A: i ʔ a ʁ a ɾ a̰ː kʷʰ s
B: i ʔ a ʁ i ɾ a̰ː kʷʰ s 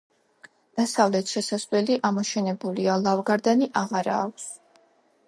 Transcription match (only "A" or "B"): A